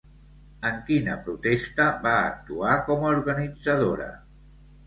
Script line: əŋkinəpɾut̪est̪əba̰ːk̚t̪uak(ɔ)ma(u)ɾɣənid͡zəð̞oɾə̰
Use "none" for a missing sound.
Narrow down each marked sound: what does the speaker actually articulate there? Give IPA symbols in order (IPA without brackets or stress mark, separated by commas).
ɔ, u